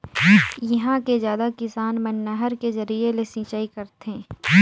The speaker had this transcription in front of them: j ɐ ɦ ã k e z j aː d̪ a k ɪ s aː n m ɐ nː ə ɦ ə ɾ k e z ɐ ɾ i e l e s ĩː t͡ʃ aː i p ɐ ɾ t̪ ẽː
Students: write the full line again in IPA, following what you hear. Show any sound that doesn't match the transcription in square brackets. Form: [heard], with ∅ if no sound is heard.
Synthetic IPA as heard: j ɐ ɦ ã k e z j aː d̪ a k ɪ s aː n m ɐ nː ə ɦ ə ɾ k e z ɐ ɾ i e l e s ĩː t͡ʃ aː i [k] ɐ ɾ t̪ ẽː